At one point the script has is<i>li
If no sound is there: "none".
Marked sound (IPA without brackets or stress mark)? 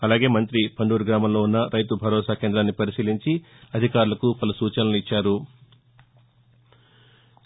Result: iː